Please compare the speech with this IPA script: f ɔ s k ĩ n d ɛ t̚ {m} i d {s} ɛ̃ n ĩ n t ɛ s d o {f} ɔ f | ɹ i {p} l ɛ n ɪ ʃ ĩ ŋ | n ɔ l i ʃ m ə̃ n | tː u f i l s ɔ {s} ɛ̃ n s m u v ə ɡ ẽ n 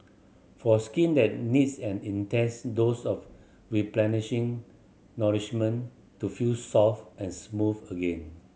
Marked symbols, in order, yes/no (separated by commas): no, yes, no, yes, no